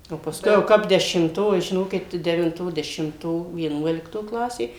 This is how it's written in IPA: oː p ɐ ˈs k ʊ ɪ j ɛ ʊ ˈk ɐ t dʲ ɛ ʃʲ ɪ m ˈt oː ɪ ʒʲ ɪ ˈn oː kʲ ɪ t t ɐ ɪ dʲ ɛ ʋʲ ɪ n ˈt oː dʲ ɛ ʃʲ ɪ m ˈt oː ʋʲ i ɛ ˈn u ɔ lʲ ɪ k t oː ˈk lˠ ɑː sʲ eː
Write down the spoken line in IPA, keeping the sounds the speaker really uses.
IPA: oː p ɐ ˈs k ʊ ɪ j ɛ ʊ ˈk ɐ p dʲ ɛ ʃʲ ɪ m ˈt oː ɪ ʒʲ ɪ ˈn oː kʲ ɪ t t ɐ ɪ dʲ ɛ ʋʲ ɪ n ˈt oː dʲ ɛ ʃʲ ɪ m ˈt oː ʋʲ i ɛ ˈn u ɔ lʲ ɪ k t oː ˈk lˠ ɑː sʲ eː